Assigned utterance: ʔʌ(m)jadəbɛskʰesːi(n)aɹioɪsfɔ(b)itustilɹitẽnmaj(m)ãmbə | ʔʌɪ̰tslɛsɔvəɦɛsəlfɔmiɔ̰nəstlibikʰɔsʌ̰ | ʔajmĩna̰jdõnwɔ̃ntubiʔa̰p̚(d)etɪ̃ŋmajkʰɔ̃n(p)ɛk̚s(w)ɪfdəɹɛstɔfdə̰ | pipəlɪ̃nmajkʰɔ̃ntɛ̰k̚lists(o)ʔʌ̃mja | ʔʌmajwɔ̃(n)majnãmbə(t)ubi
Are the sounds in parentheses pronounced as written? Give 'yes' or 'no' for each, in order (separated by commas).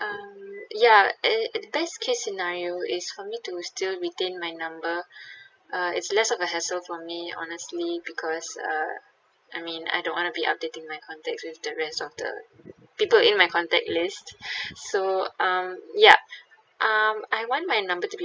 yes, yes, no, no, yes, no, yes, yes, yes, yes